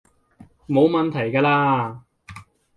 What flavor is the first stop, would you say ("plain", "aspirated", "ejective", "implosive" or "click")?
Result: aspirated